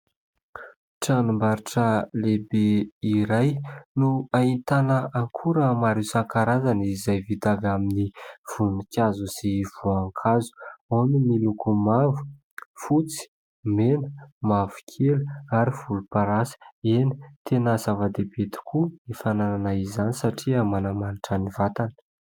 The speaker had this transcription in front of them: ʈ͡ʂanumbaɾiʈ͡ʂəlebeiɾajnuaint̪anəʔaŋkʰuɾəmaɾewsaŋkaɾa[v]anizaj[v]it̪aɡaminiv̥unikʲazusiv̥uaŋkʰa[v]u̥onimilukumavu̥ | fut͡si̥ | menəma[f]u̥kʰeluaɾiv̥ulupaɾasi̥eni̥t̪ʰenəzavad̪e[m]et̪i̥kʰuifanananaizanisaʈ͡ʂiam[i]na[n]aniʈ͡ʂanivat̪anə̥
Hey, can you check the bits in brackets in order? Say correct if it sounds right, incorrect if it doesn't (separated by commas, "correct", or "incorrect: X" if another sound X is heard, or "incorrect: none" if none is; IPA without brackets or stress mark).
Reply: incorrect: z, correct, incorrect: z, incorrect: v, incorrect: b, incorrect: a, incorrect: m